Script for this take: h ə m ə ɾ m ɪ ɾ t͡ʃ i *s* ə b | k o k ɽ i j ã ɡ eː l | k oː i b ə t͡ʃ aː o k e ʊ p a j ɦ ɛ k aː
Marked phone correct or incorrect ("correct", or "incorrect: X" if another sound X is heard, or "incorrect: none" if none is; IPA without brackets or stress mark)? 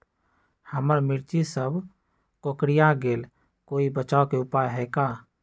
correct